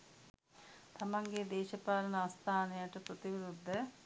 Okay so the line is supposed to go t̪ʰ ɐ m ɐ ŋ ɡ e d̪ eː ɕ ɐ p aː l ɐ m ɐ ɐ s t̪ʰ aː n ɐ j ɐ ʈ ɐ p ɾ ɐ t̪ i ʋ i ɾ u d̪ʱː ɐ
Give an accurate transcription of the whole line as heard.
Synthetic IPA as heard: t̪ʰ ɐ m ɐ ŋ ɡ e d̪ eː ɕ ɐ p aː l ɐ n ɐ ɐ s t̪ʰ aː n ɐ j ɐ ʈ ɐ p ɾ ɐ t̪ i ʋ i ɾ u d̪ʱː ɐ